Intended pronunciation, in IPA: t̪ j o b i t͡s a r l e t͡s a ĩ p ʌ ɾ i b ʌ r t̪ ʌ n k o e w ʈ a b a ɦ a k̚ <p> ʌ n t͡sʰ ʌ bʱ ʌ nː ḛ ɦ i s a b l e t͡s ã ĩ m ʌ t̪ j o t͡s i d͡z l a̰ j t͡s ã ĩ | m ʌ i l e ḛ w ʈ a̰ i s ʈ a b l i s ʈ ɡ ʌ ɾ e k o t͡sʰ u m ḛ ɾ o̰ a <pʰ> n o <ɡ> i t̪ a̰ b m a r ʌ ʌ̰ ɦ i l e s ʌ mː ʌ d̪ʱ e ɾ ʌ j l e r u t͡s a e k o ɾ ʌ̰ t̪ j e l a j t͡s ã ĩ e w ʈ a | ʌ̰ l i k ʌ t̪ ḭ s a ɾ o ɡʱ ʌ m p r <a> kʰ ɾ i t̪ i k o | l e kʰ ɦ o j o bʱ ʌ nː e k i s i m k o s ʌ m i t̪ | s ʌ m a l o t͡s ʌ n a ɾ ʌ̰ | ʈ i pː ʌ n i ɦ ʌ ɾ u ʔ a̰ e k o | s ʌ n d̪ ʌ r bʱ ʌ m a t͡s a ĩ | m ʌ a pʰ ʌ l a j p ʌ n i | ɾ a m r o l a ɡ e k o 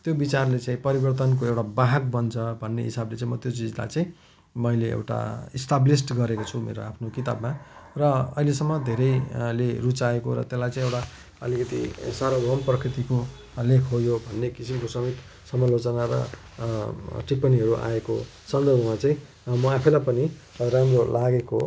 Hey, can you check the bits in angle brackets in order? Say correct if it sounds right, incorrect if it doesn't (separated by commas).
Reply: incorrect, correct, incorrect, incorrect